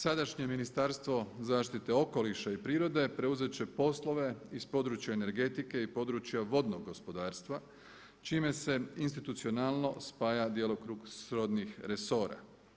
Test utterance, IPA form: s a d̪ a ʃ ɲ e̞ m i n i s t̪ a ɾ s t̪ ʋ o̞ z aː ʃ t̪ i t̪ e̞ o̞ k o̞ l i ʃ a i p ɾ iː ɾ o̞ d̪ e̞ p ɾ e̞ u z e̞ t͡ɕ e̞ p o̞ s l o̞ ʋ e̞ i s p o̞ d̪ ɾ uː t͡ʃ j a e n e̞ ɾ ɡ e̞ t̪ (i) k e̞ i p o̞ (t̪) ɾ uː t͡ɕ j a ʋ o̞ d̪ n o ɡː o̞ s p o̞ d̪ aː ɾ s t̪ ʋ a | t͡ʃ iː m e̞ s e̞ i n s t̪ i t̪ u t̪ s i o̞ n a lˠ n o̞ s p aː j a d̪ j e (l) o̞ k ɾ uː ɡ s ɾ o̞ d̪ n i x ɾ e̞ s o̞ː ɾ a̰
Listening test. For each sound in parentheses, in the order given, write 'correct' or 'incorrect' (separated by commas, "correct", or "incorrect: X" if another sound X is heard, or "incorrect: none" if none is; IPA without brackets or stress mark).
correct, incorrect: d̪, correct